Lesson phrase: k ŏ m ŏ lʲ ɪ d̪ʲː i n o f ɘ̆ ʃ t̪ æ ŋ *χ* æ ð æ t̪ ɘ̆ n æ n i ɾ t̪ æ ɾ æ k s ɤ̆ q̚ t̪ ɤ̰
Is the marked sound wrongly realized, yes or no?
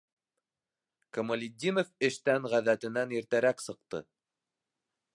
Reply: yes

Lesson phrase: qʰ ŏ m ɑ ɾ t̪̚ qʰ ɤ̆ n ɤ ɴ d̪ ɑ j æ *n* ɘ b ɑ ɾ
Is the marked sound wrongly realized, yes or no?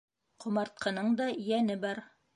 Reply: no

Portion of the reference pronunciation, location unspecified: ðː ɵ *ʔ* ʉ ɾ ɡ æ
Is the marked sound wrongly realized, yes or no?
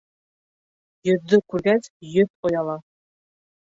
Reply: yes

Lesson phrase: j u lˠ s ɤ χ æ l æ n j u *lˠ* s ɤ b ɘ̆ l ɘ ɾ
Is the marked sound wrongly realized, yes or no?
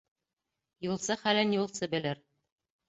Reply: no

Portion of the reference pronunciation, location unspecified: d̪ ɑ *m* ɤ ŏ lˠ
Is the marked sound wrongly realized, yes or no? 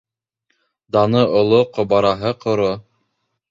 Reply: yes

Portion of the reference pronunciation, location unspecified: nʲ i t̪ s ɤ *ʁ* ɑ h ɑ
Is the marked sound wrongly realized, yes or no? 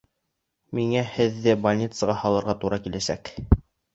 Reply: no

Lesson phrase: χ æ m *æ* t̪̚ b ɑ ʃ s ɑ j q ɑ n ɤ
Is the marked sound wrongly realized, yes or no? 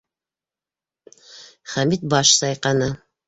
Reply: yes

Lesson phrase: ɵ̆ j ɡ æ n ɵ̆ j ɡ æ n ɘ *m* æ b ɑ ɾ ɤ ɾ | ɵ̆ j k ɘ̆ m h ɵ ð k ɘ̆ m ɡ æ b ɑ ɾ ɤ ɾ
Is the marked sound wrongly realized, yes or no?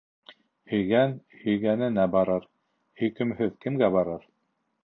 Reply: yes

